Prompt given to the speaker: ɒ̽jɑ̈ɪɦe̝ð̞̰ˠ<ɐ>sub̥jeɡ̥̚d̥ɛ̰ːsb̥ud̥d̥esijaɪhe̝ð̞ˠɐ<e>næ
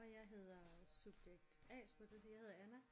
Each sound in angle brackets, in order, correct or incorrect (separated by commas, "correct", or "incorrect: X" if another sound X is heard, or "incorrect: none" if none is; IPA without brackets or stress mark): correct, incorrect: æ